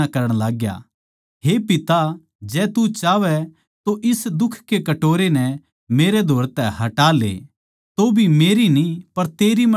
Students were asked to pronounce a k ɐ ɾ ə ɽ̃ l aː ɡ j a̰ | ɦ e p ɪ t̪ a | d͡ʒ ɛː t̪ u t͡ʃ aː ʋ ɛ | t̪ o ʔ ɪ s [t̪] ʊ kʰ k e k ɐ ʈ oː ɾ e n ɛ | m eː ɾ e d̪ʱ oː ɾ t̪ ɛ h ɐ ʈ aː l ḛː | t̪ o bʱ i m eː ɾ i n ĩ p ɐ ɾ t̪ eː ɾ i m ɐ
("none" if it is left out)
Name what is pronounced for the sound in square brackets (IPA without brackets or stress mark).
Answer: d̪